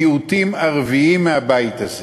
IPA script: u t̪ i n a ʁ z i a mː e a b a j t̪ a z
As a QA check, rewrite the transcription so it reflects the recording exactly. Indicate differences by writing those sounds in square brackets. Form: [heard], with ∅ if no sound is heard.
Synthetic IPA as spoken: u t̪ i [m] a ʁ [v] i [i] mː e a b a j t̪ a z